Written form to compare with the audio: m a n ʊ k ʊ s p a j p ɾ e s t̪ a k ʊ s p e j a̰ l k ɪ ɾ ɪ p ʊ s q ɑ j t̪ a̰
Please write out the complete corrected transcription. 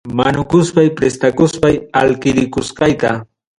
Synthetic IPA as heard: m a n ʊ k ʊ s p a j p ɾ e s t̪ a k ʊ s p a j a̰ l k ɪ ɾ ɪ k ʊ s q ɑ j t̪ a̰